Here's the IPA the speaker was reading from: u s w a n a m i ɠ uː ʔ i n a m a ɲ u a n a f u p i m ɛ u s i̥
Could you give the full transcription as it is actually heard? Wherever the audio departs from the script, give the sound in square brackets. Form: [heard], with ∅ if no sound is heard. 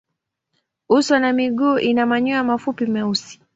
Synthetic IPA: u s w a n a m i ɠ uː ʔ i n a m a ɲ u a [m] a f u p i m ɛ u s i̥